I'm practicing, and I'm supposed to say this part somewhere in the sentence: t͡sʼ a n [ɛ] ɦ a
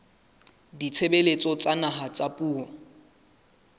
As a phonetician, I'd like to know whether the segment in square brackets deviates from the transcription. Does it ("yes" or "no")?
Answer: yes